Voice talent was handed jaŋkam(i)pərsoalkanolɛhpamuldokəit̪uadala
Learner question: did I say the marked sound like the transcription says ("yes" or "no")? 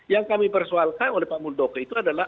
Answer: yes